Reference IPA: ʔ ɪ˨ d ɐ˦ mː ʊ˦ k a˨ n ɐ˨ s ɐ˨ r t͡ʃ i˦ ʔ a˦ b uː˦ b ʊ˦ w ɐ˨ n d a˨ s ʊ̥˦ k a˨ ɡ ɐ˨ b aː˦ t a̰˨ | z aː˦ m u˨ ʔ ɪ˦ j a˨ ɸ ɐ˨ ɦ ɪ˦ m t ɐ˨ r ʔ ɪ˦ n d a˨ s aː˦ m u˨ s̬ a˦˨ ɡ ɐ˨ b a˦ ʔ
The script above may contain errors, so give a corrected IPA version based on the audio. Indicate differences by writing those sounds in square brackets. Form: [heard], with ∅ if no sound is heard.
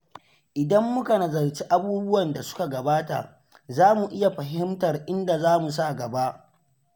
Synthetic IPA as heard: ʔ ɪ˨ d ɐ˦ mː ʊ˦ k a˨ n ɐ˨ [z] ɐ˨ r t͡ʃ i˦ ʔ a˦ b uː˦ b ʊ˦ w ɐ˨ n d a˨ s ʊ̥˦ k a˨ ɡ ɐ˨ b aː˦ t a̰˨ | z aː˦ m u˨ ʔ ɪ˦ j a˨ ɸ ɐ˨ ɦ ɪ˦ m t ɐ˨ r ʔ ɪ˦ n d a˨ [z] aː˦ m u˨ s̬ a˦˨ ɡ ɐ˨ b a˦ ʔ